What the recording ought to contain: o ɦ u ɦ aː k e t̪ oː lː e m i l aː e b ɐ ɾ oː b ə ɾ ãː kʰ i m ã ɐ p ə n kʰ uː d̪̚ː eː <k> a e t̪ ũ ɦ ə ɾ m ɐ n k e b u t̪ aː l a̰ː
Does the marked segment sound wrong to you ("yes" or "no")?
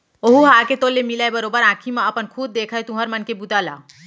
yes